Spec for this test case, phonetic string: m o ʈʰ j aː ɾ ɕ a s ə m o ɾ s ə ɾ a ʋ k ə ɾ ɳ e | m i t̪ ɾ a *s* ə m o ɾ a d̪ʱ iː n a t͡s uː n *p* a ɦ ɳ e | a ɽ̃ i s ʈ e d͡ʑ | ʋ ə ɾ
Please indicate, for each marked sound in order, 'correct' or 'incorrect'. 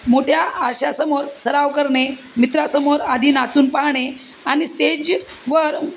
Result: correct, correct

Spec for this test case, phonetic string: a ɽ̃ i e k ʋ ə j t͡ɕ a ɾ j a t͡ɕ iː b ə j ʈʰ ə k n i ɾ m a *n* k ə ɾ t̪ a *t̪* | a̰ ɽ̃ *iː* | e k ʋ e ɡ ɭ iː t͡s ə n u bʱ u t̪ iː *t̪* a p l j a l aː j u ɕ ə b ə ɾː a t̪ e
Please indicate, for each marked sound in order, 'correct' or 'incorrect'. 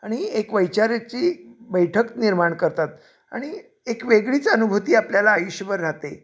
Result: incorrect, correct, incorrect, incorrect

